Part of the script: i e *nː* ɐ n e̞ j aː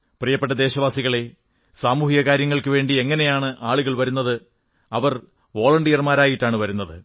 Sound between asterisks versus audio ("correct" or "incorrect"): incorrect